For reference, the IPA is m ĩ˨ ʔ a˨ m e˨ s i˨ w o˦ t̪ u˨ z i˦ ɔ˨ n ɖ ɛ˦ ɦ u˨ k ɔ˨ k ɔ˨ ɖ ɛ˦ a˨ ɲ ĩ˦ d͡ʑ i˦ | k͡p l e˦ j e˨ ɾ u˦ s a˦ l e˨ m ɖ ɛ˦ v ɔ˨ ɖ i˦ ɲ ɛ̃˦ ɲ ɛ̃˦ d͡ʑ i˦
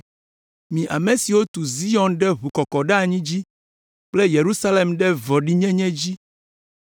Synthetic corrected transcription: m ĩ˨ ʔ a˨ m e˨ s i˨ w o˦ t̪ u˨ z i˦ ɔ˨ n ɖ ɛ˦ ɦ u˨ k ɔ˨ k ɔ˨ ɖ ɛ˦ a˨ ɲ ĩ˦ d͡ʑ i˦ | k͡p l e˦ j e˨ ɾ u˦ s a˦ l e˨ m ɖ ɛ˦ v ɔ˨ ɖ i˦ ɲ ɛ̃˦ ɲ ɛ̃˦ d͡ʑ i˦